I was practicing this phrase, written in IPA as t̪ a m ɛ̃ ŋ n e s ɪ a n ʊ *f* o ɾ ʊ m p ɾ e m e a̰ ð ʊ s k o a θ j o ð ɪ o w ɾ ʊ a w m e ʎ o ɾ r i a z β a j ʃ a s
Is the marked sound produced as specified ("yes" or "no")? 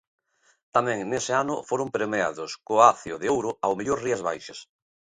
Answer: yes